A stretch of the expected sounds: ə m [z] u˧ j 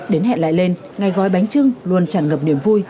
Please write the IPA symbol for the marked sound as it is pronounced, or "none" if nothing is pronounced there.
v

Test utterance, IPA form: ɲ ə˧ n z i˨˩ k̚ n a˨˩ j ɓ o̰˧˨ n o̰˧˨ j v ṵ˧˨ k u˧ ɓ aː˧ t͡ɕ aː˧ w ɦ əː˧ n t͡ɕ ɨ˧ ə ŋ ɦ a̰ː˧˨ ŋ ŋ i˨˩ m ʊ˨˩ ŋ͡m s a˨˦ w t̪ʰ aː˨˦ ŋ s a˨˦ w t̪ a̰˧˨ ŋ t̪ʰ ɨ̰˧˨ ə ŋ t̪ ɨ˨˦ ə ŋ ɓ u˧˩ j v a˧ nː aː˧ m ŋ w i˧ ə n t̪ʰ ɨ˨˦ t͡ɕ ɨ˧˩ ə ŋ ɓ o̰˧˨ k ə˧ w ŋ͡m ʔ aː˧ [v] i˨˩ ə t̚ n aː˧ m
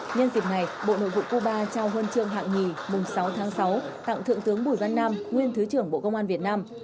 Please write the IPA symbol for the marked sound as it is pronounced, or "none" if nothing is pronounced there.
v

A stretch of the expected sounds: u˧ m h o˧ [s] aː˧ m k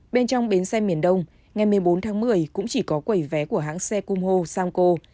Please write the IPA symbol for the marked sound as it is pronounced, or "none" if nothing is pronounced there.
s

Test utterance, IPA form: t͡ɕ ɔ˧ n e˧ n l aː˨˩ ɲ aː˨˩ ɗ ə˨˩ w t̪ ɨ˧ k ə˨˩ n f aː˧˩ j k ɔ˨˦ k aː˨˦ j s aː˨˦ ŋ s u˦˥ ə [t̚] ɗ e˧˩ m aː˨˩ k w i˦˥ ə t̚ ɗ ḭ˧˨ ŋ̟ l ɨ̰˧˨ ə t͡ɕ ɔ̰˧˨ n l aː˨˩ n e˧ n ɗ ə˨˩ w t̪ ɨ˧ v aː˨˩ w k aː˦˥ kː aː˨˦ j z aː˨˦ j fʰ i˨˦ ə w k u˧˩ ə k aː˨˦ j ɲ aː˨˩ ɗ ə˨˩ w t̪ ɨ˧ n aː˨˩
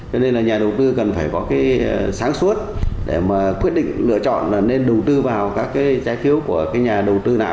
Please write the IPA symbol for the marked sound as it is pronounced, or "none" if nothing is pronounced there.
t̚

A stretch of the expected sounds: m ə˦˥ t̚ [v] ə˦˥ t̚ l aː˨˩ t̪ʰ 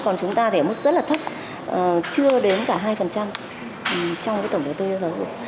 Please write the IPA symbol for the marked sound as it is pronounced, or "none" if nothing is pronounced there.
z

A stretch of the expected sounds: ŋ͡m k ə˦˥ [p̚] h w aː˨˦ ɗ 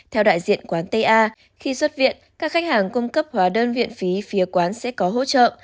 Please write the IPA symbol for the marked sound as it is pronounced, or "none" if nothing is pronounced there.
p̚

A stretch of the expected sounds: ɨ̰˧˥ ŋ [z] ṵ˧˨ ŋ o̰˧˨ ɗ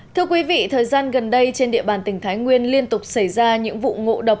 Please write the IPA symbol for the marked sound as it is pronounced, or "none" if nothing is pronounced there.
v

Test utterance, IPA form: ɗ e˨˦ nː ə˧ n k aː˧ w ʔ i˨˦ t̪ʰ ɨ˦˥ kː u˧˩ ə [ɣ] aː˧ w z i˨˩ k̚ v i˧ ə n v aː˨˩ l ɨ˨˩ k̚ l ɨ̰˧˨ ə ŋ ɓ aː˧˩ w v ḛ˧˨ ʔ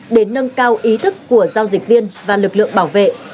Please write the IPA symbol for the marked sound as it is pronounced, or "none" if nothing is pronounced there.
z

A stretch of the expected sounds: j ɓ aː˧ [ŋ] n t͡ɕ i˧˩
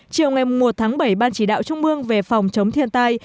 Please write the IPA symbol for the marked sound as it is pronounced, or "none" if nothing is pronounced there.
none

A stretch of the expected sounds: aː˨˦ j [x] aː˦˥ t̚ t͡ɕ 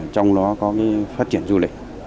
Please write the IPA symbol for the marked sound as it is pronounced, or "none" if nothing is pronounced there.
f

